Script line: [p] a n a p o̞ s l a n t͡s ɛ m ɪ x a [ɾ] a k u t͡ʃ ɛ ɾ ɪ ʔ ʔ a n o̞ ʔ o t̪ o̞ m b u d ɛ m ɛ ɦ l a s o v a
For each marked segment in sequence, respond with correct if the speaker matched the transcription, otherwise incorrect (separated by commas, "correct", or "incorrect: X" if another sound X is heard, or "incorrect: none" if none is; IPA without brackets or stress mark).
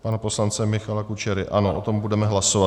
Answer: correct, incorrect: l